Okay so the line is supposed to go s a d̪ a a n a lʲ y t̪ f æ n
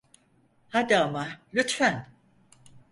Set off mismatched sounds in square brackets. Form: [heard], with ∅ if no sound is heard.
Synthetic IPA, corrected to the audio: [h] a d̪ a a [m] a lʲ y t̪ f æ n